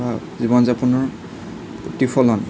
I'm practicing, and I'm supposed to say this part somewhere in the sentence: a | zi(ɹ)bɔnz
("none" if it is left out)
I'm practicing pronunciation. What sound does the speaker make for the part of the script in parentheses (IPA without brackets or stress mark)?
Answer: none